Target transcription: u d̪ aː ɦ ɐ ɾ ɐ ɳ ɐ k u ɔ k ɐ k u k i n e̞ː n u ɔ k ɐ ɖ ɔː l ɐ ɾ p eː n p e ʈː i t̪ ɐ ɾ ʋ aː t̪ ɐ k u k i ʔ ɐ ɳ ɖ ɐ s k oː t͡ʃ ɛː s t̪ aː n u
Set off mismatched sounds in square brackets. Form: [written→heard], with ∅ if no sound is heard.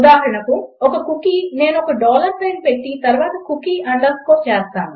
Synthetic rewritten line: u d̪ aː ɦ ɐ ɾ ɐ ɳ ɐ k u ɔ k ɐ k u k i n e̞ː n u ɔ k ɐ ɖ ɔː l ɐ ɾ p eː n p e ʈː i t̪ ɐ ɾ ʋ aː t̪ ɐ k u k i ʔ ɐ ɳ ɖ ɐ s k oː t͡ʃ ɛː s t̪ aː n u